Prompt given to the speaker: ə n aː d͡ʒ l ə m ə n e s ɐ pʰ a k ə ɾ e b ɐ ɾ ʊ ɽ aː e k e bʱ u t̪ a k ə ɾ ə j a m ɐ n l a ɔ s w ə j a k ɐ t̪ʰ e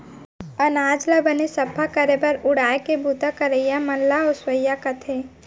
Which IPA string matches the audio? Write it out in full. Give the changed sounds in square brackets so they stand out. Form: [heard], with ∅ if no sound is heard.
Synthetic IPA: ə n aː d͡ʒ l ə [b] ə n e s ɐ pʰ a k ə ɾ e b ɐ ɾ ʊ ɽ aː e k e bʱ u t̪ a k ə ɾ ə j a m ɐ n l a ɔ s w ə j a k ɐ t̪ʰ e